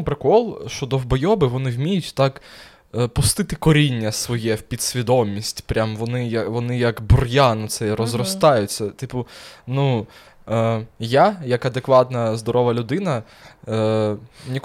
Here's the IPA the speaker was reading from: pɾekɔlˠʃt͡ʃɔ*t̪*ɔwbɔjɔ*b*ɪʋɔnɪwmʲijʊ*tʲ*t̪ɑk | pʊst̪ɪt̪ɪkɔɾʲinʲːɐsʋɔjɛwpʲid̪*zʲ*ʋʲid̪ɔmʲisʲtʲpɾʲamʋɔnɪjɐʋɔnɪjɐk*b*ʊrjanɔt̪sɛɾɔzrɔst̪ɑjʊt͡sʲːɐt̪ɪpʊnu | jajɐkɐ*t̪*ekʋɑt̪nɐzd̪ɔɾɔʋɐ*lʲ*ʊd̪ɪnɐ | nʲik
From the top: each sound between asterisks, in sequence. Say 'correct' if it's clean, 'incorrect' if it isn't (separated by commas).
incorrect, correct, correct, incorrect, correct, incorrect, correct